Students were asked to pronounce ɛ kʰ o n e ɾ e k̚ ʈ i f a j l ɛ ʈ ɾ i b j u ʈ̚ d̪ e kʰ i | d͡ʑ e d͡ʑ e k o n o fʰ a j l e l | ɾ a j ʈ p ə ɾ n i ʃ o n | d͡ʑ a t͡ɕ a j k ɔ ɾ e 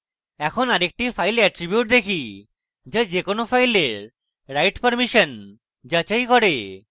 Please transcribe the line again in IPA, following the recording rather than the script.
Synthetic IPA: ɛ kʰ o n a ɾ e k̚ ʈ i f a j l ɛ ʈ ɾ i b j u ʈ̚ d̪ e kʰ i | d͡ʑ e d͡ʑ e k o n o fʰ a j l e ɾ | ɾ a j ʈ p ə ɾ m i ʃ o n | d͡ʑ a t͡ɕ a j k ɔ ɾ e